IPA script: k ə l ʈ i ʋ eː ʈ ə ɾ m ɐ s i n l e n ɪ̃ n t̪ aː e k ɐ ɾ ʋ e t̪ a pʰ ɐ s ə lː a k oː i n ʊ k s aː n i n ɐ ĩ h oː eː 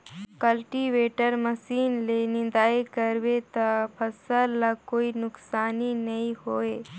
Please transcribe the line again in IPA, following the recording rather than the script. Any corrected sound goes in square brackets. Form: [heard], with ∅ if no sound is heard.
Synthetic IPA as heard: k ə l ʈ i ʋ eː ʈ ə ɾ m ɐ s [iː] n l e n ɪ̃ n [d̪] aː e k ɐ ɾ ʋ e t̪ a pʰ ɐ s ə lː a k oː i n ʊ k s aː n i n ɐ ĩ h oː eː